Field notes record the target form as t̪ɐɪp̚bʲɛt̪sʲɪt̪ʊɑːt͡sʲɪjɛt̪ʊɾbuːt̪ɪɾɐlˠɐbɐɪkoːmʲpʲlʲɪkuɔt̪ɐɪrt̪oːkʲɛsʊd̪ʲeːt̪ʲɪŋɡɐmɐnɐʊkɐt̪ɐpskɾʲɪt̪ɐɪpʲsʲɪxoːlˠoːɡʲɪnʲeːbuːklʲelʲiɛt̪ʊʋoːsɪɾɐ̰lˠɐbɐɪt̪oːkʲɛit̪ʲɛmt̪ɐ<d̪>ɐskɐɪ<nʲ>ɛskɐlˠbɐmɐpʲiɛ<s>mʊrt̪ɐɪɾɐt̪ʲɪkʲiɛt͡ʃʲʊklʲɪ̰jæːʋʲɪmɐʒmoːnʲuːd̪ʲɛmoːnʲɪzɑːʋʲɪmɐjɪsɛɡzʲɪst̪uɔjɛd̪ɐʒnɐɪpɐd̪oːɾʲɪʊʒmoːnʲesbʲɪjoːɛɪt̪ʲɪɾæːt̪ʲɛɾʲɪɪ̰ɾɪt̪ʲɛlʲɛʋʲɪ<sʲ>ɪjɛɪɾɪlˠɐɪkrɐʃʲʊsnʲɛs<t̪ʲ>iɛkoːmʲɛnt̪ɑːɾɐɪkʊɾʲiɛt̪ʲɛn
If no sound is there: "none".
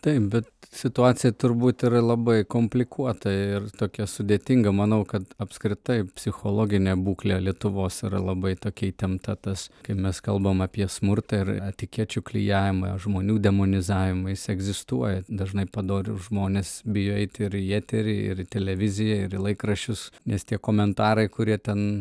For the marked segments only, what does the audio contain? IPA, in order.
t̪, mʲ, s, zʲ, t̪ʲ

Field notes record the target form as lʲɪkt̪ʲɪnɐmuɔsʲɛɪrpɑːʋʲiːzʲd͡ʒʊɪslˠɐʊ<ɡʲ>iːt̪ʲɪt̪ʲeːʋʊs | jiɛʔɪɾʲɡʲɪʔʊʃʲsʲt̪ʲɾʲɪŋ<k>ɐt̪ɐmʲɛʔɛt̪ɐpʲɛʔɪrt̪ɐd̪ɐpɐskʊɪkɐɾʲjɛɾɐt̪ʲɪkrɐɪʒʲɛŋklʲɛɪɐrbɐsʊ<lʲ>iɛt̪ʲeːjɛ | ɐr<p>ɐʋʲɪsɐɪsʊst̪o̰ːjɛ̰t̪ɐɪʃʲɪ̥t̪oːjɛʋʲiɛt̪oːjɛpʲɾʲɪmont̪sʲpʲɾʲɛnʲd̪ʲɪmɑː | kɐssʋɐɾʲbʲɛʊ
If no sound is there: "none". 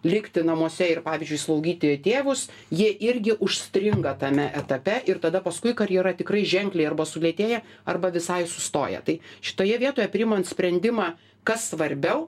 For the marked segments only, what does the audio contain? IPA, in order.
ɡʲ, ɡ, lʲ, b

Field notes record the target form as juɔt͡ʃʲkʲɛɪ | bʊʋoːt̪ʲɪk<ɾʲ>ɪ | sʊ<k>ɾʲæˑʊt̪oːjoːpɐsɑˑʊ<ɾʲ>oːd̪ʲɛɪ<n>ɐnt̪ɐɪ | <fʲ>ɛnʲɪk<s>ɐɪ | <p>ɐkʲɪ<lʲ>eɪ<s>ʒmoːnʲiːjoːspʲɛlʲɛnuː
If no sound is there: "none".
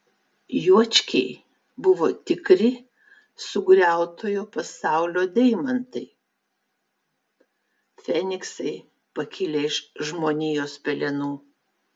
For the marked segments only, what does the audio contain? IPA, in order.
ɾʲ, ɡ, lʲ, m, fʲ, s, p, lʲ, ʃ

